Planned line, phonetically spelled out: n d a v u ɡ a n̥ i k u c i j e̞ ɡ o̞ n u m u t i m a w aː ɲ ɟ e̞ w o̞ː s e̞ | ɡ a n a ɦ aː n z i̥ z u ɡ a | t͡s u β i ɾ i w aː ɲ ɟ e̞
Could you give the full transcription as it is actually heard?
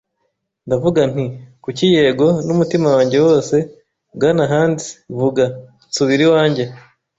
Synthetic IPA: n d a v u ɡ a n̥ i k u c i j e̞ ɡ o̞ n u m u t i m a w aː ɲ ɟ e̞ w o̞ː s e̞ | ɡ a n a ɦ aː n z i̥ v u ɡ a | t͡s u β i ɾ i w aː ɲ ɟ e̞